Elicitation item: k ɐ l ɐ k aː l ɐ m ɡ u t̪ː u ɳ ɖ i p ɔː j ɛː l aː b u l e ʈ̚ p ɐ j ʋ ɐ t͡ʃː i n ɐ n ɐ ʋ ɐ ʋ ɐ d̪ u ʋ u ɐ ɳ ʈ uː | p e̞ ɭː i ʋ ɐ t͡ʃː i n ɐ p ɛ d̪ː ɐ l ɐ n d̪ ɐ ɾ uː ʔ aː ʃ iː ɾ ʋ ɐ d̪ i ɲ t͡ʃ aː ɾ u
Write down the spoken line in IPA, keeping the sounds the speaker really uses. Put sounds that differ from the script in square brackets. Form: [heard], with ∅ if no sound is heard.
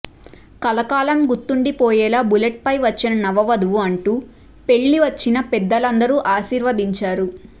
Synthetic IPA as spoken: k ɐ l ɐ k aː l ɐ m ɡ u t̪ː u ɳ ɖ i p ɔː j ɛː l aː b u l e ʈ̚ p ɐ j ʋ ɐ t͡ʃː i n ɐ n ɐ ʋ ɐ ʋ ɐ d̪ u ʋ u ɐ ɳ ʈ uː | p e̞ ɭː i ʋ ɐ t͡ʃː i n ɐ p ɛ d̪ː ɐ l ɐ n d̪ ɐ ɾ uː ʔ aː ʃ iː ɾ ʋ ɐ d̪ i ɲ t͡ʃ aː ɾ u